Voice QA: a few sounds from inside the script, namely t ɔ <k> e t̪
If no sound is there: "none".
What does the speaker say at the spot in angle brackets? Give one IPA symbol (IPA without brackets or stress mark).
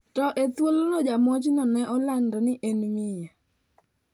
ʔ